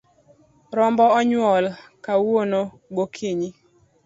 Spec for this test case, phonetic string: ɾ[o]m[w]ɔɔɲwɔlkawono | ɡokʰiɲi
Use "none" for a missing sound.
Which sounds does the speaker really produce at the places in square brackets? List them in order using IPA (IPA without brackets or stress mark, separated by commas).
ɔ, b